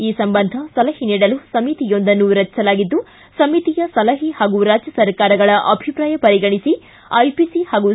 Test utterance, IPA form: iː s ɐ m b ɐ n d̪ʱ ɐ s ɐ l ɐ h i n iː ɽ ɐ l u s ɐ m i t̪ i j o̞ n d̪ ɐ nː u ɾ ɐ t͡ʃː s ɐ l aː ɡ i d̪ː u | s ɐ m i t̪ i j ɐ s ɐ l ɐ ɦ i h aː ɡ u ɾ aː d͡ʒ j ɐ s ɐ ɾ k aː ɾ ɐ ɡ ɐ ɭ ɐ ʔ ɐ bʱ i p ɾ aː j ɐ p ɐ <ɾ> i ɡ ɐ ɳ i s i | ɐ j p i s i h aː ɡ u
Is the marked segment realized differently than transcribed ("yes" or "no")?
no